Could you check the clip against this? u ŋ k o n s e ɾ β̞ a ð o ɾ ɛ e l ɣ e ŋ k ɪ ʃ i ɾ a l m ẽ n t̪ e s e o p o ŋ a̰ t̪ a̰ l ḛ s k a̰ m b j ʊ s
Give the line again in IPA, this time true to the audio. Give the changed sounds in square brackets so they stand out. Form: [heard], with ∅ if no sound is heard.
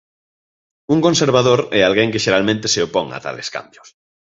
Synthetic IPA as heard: u ŋ k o n s e ɾ β̞ a ð o ɾ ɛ [a] l ɣ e ŋ k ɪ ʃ [e] ɾ a l m ẽ n t̪ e s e o p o ŋ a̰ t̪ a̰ l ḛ s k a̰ m b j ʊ s